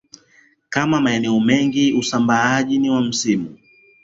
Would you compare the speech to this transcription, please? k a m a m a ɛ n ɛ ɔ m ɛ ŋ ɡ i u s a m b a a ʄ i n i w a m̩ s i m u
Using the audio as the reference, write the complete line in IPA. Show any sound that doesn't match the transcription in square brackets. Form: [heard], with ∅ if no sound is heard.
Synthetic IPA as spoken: k a m a m a ɛ n ɛ ɔ m ɛ ŋ ɡ i u s a m b a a ʄ i n i w a m̩ s i m u